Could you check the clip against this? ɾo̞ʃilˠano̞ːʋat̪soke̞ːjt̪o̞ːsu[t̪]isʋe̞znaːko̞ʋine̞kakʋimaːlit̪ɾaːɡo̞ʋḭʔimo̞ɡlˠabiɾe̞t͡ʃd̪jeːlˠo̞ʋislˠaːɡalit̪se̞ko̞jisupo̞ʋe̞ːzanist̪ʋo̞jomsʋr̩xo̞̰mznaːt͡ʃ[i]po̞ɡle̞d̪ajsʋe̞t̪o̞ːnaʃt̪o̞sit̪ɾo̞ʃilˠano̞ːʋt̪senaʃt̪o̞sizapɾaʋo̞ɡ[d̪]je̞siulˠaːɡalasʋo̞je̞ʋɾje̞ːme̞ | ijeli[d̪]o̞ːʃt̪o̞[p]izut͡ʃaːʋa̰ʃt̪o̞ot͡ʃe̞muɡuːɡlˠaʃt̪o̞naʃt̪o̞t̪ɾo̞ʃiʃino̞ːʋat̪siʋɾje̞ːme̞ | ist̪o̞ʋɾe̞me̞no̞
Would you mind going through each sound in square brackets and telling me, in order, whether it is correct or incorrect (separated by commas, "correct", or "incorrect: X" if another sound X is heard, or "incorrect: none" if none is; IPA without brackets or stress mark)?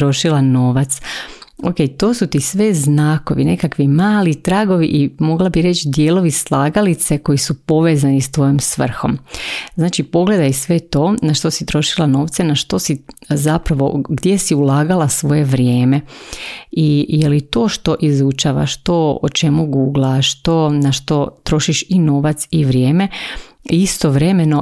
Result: correct, correct, correct, incorrect: t̪, incorrect: ʔ